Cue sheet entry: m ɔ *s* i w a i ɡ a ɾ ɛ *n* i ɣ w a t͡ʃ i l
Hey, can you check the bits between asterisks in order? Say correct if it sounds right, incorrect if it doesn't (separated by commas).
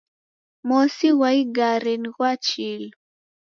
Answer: correct, correct